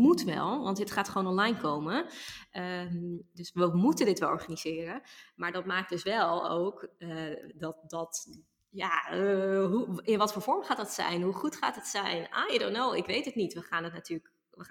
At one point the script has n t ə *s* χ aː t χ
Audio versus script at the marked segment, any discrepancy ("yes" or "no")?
yes